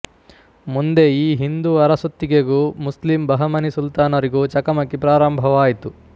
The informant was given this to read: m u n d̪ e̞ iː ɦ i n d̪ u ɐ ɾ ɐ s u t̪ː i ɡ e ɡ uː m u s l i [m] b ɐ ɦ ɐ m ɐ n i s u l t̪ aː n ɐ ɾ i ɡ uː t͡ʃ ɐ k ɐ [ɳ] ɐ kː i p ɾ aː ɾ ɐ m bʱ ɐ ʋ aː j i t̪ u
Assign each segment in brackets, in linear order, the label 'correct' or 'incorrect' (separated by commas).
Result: correct, incorrect